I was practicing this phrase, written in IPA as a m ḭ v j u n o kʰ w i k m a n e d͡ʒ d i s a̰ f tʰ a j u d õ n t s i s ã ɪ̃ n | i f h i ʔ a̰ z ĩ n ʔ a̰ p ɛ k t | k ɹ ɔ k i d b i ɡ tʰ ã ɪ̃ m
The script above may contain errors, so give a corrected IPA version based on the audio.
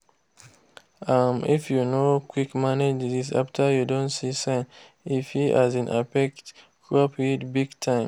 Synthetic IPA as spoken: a m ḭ f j u n o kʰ w i k m a n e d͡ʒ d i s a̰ f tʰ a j u d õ n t s i s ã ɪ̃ n | i f h i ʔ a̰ z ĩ n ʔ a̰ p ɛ k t | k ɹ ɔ p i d b i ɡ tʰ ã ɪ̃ m

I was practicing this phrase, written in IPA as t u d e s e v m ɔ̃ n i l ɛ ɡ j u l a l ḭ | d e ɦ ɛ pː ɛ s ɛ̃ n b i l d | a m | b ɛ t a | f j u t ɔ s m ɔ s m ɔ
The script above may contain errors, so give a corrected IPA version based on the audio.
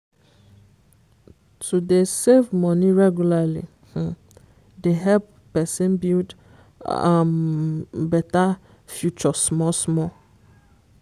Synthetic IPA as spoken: t u d e s e v m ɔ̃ n i ɹ ɛ ɡ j u l a l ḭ | d e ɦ ɛ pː ɛ s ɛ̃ n b i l d | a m | b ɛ t a | f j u t͡ʃ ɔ s m ɔ s m ɔ

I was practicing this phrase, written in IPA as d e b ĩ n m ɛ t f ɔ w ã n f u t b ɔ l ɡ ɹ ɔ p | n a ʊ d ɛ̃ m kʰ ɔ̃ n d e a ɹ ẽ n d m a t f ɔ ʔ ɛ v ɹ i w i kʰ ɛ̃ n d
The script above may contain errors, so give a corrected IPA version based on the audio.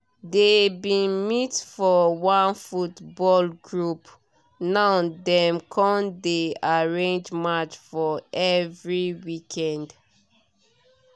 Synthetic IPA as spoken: d e b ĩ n m i t f ɔ w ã n f u t b ɔ l ɡ ɹ u p | n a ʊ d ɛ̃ m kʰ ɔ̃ n d e a ɹ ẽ n d͡ʒ m a t͡ʃ f ɔ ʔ ɛ v ɹ i w i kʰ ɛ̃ n d

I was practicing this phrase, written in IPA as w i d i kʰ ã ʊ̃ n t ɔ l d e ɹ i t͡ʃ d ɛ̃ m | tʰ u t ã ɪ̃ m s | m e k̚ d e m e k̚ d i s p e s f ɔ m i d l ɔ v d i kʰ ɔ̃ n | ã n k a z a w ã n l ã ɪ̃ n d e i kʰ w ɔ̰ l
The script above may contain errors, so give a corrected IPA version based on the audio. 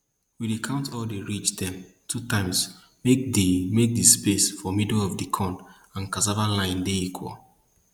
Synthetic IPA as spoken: w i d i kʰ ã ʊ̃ n t ɔ l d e ɹ i t͡ʃ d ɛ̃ m | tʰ u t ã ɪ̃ m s | m e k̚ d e m e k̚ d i s p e s f ɔ m i d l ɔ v d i kʰ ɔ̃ n | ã n k a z a v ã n l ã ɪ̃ n d e i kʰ w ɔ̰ l

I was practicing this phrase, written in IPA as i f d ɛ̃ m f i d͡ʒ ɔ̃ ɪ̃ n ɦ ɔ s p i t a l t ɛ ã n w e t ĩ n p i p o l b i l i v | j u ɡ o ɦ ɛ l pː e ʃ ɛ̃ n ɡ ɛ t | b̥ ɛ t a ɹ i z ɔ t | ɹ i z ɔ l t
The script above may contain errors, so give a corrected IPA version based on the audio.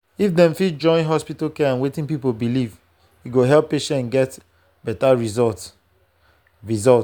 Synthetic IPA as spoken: i f d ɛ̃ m f i d͡ʒ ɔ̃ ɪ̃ n ɦ ɔ s p i t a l k ɛ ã n w e t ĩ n p i p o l b i l i v | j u ɡ o ɦ ɛ l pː e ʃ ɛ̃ n ɡ ɛ t | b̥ ɛ t a ɹ i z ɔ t | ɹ i z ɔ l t

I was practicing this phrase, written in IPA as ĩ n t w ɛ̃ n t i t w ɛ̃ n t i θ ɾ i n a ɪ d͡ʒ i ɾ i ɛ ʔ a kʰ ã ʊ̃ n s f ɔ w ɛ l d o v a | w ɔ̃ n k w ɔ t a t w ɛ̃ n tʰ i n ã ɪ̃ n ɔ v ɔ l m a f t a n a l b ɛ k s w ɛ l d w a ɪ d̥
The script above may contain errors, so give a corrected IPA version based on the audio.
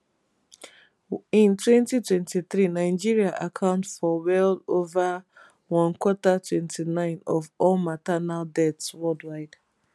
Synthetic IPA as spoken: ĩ n t w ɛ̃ n t i t w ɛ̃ n t i θ ɾ i n a ɪ d͡ʒ i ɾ i a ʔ a kʰ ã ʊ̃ n t f ɔ w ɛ l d o v a | w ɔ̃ n k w ɔ t a t w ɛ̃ n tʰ i n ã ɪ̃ n ɔ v ɔ l m a t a n a l d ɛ t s w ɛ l d w a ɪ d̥

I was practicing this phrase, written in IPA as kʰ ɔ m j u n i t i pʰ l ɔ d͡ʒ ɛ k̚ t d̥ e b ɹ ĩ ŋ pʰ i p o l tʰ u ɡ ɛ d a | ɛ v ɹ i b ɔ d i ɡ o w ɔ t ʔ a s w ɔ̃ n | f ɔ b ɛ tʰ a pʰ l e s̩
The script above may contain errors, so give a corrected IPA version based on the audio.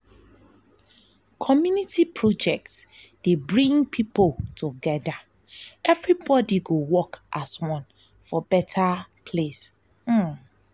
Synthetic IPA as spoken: kʰ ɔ m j u n i t i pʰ ɹ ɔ d͡ʒ ɛ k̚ t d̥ e b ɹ ĩ ŋ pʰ i p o l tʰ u ɡ ɛ d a | ɛ v ɹ i b ɔ d i ɡ o w ɔ k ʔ a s w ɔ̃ n | f ɔ b ɛ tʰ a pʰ l e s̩

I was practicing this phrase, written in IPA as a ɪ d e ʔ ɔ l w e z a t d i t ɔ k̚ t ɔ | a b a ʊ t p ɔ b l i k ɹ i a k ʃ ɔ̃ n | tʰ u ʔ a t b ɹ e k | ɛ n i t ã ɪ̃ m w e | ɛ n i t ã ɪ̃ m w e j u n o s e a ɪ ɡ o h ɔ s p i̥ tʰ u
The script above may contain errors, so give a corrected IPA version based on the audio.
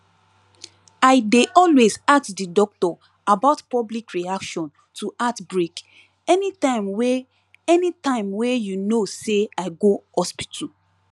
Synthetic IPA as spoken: a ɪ d e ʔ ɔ l w e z a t d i d ɔ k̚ t ɔ | a b a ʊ t p ɔ b l i k ɹ i a k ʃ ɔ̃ n | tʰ u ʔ a t b ɹ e k | ɛ n i t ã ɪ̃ m w e | ɛ n i t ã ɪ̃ m w e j u n o s e a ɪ ɡ o h ɔ s p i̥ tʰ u

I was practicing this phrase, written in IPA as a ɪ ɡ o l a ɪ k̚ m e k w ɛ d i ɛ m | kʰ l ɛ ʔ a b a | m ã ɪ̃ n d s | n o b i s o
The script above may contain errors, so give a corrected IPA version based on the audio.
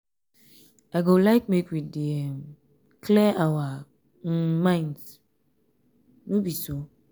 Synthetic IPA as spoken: a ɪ ɡ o l a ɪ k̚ m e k w i d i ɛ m | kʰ l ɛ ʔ a w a | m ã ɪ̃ n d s | n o b i s o

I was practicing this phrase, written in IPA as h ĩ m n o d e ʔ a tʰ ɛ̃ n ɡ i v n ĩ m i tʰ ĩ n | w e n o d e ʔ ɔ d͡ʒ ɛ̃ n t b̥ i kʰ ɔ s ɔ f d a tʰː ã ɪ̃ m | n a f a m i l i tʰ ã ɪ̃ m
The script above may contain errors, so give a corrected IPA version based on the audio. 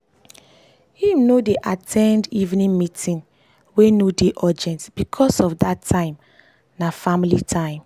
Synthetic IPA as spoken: h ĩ m n o d e ʔ a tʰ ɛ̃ n d i v n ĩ m i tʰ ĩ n | w e n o d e ʔ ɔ d͡ʒ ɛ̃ n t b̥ i kʰ ɔ s ɔ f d a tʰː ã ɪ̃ m | n a f a m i l i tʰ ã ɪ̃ m

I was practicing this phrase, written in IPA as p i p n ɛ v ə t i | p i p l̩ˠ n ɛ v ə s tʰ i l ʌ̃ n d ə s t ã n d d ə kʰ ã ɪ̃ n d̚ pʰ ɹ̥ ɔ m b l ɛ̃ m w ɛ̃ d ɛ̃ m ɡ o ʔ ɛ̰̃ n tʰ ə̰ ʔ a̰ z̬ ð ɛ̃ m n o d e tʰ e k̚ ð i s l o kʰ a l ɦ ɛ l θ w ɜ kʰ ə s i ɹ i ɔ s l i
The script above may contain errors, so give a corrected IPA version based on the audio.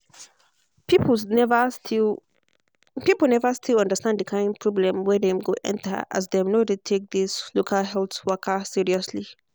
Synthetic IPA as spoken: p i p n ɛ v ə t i | p i p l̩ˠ n ɛ v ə s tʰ i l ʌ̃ n d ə s t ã n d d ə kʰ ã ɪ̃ n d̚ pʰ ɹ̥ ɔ b l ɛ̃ m w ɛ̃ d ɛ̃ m ɡ o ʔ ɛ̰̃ n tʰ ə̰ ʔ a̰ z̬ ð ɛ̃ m n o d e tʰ e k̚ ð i s l o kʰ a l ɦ ɛ l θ w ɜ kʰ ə s i ɹ i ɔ s l i

